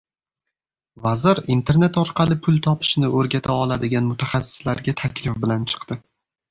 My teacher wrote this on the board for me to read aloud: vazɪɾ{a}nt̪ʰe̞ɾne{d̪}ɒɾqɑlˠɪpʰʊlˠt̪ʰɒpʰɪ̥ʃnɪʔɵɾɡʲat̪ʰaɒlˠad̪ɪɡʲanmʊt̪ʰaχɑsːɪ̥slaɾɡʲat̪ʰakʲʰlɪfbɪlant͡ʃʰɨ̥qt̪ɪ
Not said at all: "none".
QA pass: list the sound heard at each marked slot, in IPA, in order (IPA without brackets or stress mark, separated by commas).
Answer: i, t̪